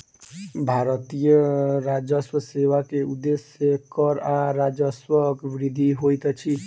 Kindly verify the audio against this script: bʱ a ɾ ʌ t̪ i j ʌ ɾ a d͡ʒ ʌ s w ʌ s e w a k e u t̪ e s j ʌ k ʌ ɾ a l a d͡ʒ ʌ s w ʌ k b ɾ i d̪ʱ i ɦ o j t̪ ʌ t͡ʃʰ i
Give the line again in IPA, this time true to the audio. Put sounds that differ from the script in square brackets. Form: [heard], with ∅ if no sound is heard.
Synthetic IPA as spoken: bʱ a ɾ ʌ t̪ i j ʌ ɾ a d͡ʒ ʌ s w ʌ s e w a k e u [d̪] e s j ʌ k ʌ ɾ a [ɾ] a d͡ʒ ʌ s w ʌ k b ɾ i d̪ʱ i ɦ o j t̪ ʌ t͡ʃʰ i